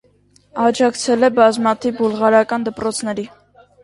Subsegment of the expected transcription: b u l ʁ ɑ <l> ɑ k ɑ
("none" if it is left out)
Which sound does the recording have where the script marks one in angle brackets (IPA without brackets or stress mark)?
ɾ